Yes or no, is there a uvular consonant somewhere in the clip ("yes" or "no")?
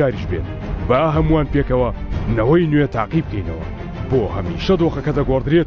yes